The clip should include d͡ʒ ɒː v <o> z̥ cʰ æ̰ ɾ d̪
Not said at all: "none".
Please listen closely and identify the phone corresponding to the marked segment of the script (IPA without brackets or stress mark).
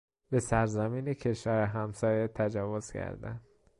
o